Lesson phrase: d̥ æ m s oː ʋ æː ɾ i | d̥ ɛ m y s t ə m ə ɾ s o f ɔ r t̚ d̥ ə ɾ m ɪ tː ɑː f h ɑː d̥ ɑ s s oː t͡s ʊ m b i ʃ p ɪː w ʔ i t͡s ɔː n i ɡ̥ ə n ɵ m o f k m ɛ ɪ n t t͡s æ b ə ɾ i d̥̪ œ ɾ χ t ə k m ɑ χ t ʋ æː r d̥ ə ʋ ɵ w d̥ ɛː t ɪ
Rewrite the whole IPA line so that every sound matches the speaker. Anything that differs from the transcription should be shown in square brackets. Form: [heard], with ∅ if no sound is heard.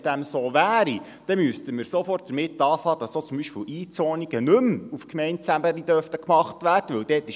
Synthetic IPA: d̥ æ m s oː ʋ æː ɾ i | d̥ ɛ m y s t ə m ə ɾ s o f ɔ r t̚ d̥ ə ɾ m ɪ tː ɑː f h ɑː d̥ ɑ s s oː t͡s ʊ m b i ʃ p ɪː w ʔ [iː] t͡s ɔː n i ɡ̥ ə n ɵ m [u] f k m ɛ ɪ n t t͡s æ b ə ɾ i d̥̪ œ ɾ [f] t ə k m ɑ χ t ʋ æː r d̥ ə ʋ ɵ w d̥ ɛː t ɪ